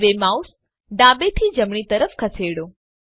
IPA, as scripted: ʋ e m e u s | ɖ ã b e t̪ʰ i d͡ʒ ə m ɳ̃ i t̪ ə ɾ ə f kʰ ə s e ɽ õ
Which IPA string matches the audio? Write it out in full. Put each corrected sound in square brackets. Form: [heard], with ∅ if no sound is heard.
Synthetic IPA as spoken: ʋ e m [a] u s | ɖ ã b e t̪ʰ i d͡ʒ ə m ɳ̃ i t̪ ə ɾ ə f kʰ ə s e ɽ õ